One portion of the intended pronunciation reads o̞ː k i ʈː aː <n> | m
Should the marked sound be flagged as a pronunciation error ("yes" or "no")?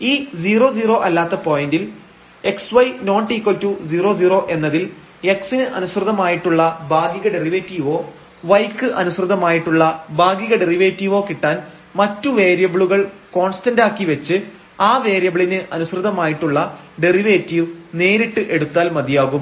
no